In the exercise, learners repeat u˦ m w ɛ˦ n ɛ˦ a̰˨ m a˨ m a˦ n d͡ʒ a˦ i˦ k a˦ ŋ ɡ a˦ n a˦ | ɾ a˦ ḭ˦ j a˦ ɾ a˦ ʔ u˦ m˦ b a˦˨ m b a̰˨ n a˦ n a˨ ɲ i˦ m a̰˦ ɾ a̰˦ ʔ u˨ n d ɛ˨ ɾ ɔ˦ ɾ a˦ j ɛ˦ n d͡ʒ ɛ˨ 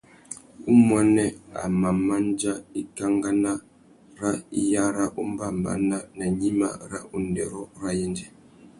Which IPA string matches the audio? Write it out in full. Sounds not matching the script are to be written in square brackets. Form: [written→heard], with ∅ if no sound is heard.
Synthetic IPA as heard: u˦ m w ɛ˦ n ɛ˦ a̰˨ m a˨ m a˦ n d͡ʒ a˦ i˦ k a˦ ŋ ɡ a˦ n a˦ | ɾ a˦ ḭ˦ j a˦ ɾ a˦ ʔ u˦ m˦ b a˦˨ m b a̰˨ n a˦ n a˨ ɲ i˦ m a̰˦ ɾ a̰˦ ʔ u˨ n d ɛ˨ ɾ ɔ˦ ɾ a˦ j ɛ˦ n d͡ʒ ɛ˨